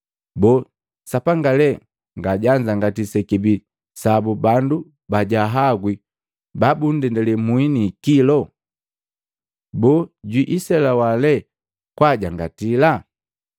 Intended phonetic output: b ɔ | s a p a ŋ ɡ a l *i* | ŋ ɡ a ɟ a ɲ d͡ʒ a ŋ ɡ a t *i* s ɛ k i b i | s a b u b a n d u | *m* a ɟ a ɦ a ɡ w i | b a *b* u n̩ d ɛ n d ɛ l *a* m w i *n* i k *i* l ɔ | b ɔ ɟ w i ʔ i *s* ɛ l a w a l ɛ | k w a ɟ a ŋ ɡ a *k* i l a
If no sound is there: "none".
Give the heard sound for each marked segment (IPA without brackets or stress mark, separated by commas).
ɛ, i, b, b, ɛ, n, i, s, t